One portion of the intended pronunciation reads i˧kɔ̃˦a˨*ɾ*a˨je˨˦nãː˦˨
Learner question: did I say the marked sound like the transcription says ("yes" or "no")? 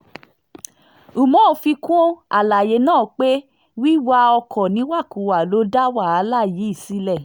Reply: no